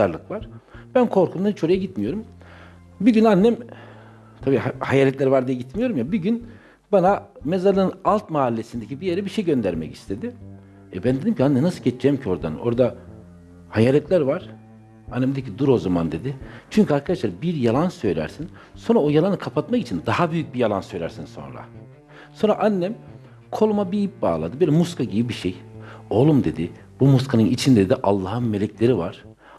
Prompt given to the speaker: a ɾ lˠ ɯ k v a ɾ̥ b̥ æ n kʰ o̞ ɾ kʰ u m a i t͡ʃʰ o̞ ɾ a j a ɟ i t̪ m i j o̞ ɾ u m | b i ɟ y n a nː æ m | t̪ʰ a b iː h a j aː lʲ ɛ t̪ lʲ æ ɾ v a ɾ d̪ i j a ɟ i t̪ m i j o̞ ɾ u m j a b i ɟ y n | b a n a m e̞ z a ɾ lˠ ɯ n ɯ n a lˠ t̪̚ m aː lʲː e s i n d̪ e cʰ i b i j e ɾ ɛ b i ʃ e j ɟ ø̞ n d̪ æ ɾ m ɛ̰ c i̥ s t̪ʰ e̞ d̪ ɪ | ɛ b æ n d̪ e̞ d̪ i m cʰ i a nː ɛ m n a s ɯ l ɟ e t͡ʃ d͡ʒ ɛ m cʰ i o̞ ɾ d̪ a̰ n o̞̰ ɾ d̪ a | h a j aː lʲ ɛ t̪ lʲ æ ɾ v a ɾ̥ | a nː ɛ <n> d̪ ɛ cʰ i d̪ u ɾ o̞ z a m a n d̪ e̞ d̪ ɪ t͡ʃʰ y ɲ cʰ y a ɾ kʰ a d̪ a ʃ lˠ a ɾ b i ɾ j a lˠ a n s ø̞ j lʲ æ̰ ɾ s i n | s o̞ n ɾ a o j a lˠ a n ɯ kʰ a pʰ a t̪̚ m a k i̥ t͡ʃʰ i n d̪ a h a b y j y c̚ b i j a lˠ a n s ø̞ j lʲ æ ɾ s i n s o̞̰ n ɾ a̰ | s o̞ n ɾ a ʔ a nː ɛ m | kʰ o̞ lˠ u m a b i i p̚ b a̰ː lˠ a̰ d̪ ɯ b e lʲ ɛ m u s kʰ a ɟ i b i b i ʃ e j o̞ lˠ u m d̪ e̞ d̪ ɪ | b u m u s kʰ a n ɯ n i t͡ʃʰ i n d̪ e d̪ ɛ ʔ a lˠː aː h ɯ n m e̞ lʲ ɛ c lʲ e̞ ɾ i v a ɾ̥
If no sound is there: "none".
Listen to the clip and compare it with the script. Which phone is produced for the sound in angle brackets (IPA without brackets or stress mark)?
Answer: m